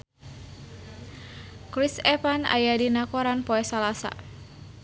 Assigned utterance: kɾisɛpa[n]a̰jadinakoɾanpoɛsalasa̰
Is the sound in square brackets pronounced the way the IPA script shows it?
yes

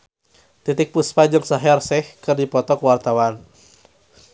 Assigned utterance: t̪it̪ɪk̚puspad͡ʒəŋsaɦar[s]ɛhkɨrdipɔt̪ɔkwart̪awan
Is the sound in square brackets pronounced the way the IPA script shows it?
yes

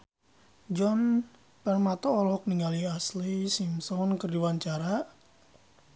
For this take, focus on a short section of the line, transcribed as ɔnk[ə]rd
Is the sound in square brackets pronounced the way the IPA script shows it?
yes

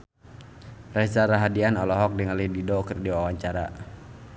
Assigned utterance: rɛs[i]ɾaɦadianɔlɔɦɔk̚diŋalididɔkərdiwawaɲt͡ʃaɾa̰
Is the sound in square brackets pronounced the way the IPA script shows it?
no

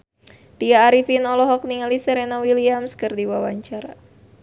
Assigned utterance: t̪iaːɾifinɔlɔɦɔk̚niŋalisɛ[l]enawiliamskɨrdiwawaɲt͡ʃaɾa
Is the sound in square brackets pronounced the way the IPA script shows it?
no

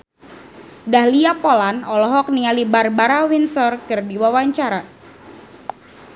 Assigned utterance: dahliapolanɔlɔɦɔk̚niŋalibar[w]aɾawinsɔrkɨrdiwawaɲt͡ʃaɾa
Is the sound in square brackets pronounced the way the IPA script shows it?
no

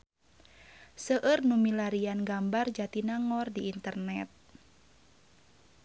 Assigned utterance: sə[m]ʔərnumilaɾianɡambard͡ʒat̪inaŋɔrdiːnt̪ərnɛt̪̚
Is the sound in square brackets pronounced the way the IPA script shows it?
no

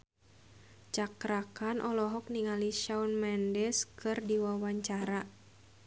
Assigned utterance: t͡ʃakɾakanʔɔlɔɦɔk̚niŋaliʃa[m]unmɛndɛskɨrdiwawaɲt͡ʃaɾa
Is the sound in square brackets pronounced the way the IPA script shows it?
no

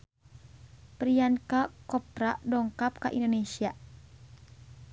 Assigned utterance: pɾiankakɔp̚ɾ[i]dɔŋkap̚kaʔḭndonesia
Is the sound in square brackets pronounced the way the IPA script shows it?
no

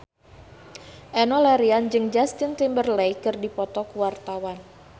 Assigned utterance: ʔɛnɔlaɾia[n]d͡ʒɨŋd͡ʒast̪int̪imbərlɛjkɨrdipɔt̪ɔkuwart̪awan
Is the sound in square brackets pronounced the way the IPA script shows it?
yes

